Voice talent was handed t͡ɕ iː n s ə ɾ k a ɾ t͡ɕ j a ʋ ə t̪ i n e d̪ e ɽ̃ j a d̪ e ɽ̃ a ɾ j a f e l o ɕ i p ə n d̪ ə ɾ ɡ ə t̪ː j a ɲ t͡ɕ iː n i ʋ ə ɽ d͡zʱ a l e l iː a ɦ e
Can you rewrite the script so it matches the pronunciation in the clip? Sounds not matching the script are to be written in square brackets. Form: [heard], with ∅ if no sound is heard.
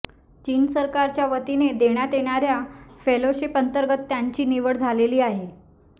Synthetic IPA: t͡ɕ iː n s ə ɾ k a ɾ t͡ɕ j a ʋ ə t̪ i n e d̪ e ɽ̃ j a [t̪] e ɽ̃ a ɾ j a f e l o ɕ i p ə n [t̪] ə ɾ ɡ ə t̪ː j a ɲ t͡ɕ iː n i ʋ ə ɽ d͡zʱ a l e l iː a ɦ e